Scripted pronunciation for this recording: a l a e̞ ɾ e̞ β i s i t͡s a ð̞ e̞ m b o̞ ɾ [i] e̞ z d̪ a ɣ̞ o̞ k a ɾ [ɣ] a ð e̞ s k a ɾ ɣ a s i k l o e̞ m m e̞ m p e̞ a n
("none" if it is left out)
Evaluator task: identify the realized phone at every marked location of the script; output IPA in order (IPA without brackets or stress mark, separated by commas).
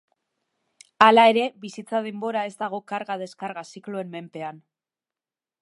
a, ɣ